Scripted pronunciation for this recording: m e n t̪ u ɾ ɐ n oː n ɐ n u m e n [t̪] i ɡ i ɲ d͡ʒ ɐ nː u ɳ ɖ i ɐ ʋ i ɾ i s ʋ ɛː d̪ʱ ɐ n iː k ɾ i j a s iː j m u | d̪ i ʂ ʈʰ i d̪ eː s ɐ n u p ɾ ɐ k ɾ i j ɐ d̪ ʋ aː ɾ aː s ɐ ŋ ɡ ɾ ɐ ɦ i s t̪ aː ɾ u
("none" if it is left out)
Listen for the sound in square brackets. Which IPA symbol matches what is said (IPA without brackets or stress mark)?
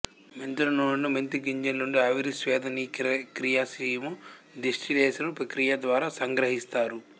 t̪